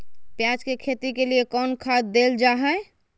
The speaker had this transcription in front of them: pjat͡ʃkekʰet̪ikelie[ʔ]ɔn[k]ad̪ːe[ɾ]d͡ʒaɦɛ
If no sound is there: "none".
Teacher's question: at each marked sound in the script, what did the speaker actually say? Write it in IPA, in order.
k, kʰ, l

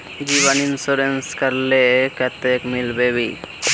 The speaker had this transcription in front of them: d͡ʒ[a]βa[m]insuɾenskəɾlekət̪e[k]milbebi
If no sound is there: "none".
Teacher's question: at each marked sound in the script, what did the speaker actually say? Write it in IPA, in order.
i, n, k

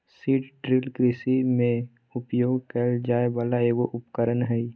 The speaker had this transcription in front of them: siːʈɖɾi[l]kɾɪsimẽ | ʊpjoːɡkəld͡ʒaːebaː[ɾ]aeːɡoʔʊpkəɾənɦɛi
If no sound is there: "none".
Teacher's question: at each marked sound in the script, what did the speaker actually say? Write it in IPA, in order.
l, l

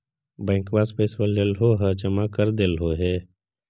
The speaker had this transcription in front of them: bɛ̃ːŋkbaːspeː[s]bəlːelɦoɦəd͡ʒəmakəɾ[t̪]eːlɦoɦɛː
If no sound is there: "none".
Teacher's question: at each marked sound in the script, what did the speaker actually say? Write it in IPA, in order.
s, d̪

